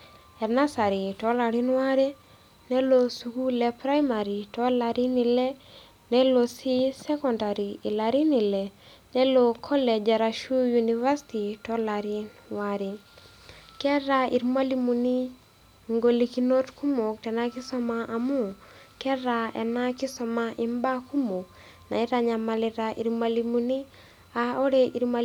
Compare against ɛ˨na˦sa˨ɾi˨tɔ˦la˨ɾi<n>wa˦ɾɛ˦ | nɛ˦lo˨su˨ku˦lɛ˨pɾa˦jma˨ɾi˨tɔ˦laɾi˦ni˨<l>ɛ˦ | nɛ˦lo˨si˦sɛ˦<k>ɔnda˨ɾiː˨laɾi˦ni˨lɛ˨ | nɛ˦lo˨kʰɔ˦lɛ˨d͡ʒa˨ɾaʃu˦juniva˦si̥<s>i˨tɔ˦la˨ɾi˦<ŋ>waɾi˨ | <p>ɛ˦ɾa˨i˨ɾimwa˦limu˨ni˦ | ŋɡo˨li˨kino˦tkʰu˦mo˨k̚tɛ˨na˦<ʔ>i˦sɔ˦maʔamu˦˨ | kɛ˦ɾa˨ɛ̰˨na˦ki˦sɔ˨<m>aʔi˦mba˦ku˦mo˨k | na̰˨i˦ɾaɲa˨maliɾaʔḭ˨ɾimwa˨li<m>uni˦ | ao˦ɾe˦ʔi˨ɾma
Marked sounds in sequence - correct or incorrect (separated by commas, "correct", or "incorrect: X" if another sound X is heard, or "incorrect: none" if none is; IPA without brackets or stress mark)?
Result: correct, correct, correct, incorrect: t, incorrect: n, incorrect: k, incorrect: k, correct, correct